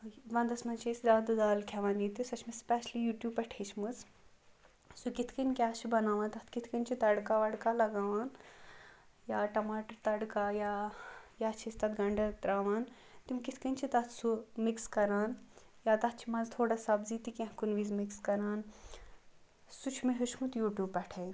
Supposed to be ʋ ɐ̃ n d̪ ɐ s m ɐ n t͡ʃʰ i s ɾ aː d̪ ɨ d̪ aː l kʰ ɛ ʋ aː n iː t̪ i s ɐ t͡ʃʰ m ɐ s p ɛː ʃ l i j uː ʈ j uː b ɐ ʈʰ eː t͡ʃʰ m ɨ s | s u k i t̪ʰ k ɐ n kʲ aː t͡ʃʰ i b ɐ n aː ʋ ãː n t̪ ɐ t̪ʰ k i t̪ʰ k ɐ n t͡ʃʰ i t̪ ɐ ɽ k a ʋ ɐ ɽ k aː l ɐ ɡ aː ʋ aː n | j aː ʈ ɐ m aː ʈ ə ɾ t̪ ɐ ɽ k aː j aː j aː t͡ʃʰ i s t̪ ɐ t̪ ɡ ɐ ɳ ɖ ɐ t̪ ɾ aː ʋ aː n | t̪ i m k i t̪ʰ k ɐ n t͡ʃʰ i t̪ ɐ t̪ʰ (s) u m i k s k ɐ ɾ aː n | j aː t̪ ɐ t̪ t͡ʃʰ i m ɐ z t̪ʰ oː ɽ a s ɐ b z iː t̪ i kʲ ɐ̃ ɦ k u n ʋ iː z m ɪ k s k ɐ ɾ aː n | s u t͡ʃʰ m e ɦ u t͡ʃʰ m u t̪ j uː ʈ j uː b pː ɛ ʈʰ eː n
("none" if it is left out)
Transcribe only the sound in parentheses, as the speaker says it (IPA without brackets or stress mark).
s